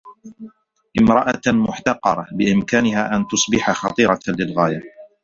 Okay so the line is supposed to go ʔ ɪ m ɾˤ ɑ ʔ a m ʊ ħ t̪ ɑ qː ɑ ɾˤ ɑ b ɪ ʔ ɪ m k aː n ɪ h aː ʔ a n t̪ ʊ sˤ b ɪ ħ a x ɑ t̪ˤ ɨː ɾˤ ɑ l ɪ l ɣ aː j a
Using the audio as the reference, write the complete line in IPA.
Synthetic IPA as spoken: ʔ ɪ m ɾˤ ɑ ʔ a m ʊ ħ t̪ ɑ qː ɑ ɾˤ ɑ b ɪ ʔ ɪ m k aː n ɪ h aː ʔ a n t̪ ʊ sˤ b ɪ ħ a x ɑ t̪ˤ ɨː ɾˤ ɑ l ɪ l ɣ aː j a